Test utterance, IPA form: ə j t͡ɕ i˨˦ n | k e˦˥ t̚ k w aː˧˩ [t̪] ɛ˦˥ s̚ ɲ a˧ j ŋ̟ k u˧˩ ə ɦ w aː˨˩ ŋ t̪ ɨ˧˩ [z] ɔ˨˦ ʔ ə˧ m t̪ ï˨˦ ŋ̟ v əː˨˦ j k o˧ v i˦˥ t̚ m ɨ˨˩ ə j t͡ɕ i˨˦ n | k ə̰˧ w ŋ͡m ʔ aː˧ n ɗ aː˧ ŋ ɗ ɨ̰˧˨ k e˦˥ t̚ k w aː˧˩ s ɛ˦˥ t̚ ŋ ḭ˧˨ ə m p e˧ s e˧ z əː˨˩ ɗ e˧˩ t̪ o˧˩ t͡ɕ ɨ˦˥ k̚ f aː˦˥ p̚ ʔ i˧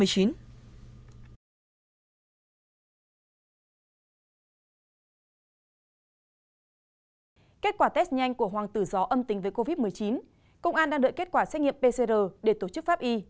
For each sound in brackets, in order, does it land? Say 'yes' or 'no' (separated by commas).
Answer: yes, yes